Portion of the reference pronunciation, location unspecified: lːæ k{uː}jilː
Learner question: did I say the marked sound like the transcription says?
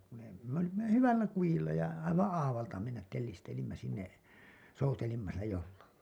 no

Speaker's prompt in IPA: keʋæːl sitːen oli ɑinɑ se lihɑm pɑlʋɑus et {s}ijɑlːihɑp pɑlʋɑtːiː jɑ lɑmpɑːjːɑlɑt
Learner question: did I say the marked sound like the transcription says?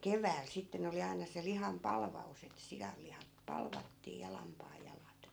yes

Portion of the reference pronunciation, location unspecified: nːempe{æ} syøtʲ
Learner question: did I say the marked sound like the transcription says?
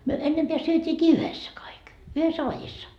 yes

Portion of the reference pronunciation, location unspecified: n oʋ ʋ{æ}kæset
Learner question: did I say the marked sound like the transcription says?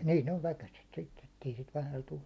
yes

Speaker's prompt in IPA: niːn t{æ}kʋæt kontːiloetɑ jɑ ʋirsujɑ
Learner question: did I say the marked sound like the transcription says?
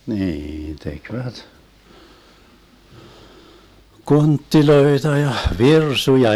no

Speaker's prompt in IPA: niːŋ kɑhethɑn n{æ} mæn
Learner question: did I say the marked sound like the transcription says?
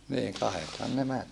no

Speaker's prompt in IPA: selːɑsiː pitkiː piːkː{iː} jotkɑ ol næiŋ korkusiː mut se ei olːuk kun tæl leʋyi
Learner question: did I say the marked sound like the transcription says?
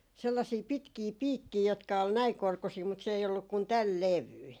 yes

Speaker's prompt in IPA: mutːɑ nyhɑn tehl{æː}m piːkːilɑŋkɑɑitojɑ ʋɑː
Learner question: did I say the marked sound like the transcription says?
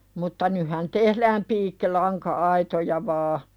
yes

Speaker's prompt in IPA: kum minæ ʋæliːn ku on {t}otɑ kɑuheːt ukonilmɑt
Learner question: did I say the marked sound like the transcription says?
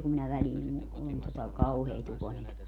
yes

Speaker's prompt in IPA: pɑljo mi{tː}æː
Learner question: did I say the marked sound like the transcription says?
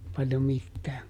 yes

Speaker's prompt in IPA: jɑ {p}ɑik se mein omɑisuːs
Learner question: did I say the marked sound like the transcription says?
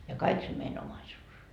no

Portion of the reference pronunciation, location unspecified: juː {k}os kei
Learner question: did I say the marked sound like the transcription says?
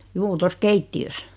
no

